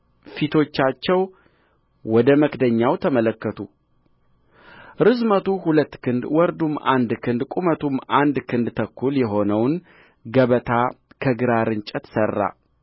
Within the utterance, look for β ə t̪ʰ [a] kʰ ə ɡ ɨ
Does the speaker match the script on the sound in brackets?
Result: yes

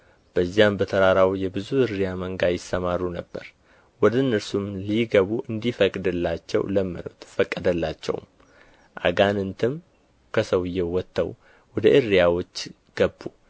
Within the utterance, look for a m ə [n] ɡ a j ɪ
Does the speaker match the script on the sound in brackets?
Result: no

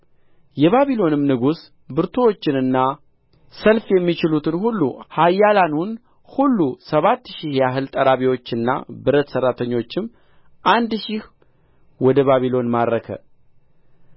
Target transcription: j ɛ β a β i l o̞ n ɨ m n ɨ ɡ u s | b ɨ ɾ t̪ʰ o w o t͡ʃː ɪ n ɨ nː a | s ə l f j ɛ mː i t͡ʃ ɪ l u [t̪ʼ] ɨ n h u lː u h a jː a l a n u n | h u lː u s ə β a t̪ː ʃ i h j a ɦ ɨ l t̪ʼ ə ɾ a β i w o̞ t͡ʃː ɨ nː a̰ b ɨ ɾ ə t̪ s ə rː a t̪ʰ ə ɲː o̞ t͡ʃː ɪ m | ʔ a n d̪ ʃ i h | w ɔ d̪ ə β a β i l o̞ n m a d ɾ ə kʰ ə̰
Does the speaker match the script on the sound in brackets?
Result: no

